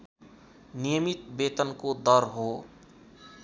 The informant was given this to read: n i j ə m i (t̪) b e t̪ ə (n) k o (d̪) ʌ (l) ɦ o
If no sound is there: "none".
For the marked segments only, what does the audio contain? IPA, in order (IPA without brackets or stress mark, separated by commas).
t̪, n, d̪, ɾ